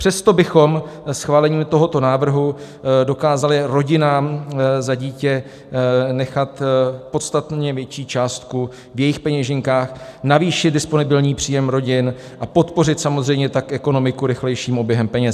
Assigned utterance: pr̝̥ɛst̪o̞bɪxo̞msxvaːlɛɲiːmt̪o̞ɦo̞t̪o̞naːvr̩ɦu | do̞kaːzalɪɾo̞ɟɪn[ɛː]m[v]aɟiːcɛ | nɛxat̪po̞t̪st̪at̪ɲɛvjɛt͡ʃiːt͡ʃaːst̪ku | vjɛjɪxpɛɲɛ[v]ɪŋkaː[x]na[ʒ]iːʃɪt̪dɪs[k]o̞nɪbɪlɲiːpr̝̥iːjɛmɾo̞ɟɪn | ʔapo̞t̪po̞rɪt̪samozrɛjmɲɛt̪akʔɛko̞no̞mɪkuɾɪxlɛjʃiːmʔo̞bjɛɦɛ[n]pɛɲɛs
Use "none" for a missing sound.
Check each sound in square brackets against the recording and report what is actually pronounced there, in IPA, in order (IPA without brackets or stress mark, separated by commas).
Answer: aː, z, ʒ, x, v, p, m